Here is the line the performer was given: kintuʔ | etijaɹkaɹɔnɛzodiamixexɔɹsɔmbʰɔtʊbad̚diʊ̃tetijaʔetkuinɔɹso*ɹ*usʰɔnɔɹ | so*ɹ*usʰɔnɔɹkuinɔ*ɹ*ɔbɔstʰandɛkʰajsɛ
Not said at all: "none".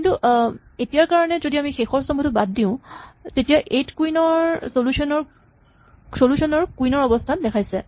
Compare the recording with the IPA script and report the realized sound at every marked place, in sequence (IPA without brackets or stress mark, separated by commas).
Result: l, l, ɹ